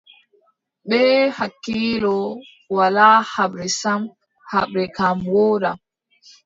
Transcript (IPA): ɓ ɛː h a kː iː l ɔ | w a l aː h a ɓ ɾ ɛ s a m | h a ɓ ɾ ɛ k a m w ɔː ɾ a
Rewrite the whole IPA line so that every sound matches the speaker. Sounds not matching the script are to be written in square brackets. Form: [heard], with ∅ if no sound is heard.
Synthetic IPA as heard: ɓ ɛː h a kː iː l ɔ | w a l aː h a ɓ ɾ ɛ s a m | h a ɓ ɾ ɛ k a m w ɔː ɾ a